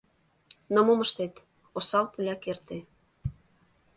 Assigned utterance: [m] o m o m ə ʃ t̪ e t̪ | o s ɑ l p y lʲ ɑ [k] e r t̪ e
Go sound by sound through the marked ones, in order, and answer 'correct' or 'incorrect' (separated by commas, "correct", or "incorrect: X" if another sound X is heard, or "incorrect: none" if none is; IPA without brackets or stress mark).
incorrect: n, correct